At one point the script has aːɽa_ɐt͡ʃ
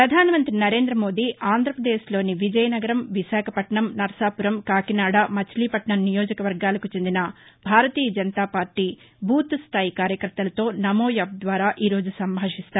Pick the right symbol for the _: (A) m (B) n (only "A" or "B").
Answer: A